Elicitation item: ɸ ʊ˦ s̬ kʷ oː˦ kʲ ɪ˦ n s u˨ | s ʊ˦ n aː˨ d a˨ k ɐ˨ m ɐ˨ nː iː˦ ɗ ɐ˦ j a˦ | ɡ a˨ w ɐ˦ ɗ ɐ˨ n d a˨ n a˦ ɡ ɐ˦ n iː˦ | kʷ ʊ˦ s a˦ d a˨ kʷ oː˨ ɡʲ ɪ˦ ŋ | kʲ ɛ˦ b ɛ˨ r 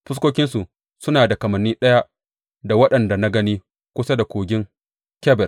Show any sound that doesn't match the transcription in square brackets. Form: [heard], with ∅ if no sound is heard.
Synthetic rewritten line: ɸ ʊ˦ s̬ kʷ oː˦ kʲ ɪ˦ n s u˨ | s ʊ˦ n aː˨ d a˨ k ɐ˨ m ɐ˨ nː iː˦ ɗ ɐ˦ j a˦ | [d] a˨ w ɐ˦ ɗ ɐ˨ n d a˨ n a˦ ɡ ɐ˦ n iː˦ | kʷ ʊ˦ s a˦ d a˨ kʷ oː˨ ɡʲ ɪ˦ ŋ | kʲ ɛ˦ b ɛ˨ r